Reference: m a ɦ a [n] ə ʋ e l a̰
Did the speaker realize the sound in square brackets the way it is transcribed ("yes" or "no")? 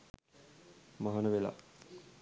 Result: yes